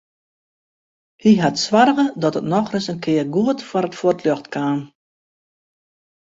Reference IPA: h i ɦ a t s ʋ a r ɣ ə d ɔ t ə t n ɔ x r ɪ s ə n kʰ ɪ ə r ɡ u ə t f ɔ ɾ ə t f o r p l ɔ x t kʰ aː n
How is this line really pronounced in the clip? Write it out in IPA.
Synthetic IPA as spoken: h i ɦ a t s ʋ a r ɣ ə d ɔ t ə t n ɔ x r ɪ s ə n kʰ ɪ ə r ɡ u ə t f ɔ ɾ ə t f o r t l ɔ x t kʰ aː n